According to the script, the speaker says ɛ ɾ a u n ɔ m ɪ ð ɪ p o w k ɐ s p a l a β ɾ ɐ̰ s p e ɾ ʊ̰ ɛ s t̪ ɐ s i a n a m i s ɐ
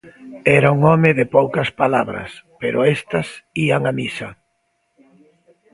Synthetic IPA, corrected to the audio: ɛ ɾ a u ŋ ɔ m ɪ ð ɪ p o w k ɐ s p a l a β ɾ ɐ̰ s p e ɾ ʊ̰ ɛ s t̪ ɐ s i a ŋ a m i s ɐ